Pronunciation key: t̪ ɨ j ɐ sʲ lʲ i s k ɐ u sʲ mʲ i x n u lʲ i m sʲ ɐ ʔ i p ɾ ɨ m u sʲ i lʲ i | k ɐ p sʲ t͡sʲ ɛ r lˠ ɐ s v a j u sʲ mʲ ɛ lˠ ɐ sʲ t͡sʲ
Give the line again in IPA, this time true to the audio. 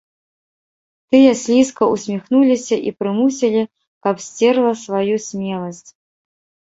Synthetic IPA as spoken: t̪ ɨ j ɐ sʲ lʲ i s k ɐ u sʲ mʲ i x n u lʲ i sʲ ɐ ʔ i p ɾ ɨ m u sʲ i lʲ i | k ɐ p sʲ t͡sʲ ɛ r lˠ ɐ s v a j u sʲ mʲ ɛ lˠ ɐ sʲ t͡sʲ

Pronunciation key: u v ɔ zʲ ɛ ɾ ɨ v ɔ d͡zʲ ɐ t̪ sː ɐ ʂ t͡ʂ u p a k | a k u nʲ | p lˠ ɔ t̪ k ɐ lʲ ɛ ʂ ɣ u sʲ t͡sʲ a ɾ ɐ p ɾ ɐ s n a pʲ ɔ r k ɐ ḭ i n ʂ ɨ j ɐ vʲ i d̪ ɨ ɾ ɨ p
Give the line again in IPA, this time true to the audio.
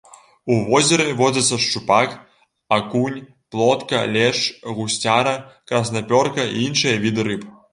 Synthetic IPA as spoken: u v ɔ zʲ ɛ ɾ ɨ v ɔ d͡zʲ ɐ t̪ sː ɐ ʂ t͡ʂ u p a k | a k u nʲ | p lˠ ɔ t̪ k ɐ lʲ ɛ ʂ ɣ u sʲ t͡sʲ a ɾ ɐ k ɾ ɐ s n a pʲ ɔ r k ɐ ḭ i n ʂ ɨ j ɐ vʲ i d̪ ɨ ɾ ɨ p

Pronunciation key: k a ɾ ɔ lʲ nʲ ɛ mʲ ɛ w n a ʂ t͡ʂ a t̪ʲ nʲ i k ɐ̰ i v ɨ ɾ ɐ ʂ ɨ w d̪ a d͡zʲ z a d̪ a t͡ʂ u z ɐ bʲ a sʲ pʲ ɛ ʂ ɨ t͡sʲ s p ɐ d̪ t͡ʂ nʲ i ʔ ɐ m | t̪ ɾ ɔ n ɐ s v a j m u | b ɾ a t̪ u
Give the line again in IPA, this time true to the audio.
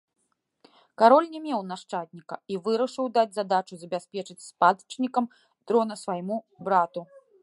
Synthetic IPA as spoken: k a ɾ ɔ lʲ nʲ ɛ mʲ ɛ w n a ʂ t͡ʂ a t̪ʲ nʲ i k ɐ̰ i v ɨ ɾ ɐ ʂ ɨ w d̪ a d͡zʲ z a d̪ a t͡ʂ u z ɐ bʲ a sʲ pʲ ɛ t͡ʂ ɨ t͡sʲ s p a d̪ t͡ʂ nʲ i k ɐ m | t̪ ɾ ɔ n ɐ s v a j m u | b ɾ a t̪ u

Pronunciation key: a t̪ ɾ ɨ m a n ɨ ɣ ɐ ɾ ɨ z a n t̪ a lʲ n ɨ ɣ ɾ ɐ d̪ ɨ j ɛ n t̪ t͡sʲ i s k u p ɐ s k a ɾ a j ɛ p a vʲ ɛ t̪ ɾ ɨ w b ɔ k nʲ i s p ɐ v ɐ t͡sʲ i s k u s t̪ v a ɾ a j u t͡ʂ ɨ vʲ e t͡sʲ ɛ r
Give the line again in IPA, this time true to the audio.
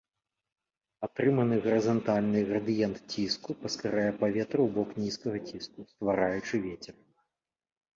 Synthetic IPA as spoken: a t̪ ɾ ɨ m ɐ n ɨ ɣ ɐ ɾ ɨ z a n t̪ a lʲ n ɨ ɣ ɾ ɐ d̪ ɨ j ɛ n t̪ t͡sʲ i s k u p ɐ s k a ɾ a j ɛ p a vʲ ɛ t̪ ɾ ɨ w b ɔ k nʲ i s k ɐ ɣ ɐ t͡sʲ i s k u s t̪ v a ɾ a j u t͡ʂ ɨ vʲ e t͡sʲ ɛ r

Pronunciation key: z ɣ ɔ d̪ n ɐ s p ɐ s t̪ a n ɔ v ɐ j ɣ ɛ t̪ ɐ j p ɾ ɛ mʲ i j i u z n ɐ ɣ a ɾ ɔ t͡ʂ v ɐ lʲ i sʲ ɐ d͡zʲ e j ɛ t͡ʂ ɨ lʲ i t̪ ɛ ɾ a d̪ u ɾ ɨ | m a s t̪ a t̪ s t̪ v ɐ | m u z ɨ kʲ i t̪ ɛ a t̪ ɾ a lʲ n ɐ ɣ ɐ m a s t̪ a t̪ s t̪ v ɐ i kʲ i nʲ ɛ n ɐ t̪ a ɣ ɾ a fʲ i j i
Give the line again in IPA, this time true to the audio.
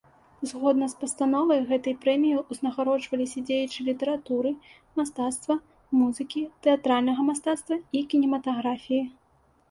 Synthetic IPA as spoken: z ɣ ɔ d̪ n ɐ s p ɐ s t̪ a n ɔ v ɐ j ɣ ɛ t̪ ɐ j p ɾ ɛ mʲ i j i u z n ɐ ɣ a ɾ ɔ t͡ʂ v ɐ lʲ i sʲ ɐ d͡zʲ e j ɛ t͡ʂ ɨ lʲ i t̪ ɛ ɾ a t̪ u ɾ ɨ | m a s t̪ a t̪ s t̪ v ɐ | m u z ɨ kʲ i t̪ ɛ a t̪ ɾ a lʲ n ɐ ɣ ɐ m a s t̪ a t̪ s t̪ v ɐ i kʲ i nʲ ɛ m ɐ t̪ a ɣ ɾ a fʲ i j i

